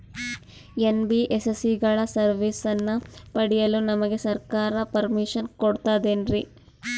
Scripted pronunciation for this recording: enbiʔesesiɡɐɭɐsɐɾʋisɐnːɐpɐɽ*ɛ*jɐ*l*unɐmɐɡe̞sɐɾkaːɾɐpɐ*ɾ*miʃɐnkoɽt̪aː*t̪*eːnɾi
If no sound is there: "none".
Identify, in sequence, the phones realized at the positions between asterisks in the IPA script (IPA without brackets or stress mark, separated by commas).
i, l, ɾ, d̪